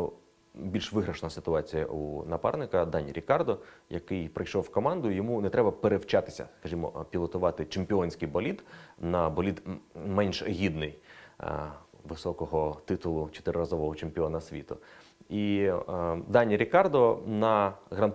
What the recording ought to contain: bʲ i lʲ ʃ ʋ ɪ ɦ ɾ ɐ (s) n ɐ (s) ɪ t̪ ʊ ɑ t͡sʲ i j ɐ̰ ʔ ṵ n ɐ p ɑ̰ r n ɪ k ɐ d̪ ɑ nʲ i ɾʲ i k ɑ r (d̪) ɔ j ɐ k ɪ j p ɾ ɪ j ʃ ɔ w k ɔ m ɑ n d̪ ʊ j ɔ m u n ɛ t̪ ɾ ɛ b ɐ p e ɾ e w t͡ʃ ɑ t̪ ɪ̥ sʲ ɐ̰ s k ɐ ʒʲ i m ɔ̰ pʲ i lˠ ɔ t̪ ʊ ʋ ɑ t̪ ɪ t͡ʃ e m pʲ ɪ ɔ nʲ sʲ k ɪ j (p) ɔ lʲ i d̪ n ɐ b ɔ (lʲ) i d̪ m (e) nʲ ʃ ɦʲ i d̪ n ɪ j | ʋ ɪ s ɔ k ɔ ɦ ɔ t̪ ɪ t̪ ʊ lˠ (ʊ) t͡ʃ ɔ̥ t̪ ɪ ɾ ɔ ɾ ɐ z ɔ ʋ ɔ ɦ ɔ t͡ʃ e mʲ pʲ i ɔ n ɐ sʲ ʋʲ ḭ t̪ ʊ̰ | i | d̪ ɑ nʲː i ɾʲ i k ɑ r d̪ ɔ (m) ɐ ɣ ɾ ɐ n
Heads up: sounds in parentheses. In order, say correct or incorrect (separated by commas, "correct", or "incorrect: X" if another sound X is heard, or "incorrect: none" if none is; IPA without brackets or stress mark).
incorrect: ʃ, correct, correct, incorrect: b, correct, incorrect: ɛ, correct, incorrect: n